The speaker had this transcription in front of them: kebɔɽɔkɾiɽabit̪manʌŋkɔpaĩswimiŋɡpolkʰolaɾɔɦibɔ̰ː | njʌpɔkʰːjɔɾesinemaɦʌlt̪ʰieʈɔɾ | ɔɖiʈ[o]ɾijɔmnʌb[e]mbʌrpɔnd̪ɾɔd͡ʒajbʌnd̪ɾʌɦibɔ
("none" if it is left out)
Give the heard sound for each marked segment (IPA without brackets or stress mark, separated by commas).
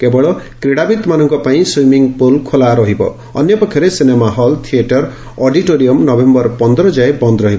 o, e